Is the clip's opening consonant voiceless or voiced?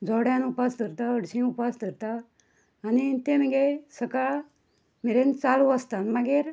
voiced